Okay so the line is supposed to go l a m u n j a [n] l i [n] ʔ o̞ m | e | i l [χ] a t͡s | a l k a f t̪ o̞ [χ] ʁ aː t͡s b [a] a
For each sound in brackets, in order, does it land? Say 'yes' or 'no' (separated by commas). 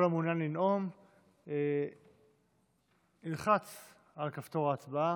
yes, yes, yes, no, yes